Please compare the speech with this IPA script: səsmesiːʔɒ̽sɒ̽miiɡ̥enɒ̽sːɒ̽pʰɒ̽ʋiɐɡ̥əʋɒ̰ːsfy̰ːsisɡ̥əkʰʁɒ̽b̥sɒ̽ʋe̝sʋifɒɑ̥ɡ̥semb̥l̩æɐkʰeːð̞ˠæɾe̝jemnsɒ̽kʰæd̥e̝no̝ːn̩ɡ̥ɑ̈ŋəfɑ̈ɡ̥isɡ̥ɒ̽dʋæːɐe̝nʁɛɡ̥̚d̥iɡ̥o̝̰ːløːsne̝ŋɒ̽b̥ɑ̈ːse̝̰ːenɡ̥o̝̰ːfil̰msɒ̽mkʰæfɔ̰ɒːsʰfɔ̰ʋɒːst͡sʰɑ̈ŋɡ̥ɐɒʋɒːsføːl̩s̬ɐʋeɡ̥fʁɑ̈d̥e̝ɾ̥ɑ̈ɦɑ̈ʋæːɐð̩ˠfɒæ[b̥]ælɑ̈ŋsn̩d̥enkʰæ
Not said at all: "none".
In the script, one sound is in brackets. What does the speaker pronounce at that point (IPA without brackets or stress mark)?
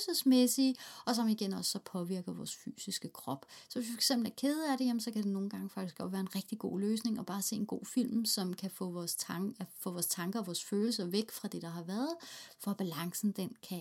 b̥